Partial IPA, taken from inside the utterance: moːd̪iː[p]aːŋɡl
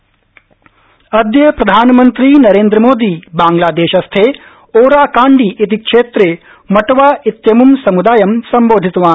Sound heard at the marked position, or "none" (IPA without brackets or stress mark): b